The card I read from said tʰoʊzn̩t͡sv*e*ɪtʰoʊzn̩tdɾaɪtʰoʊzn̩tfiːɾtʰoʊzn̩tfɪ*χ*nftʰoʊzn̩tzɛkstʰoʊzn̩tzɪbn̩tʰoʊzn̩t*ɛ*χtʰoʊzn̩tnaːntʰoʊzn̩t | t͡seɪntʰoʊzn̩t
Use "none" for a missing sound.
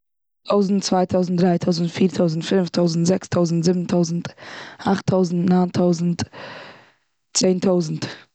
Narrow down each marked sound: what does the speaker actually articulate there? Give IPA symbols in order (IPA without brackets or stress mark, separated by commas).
a, none, a